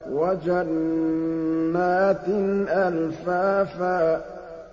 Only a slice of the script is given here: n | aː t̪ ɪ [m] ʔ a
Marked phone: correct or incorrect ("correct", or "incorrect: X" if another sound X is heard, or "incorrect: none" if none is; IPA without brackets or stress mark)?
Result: incorrect: n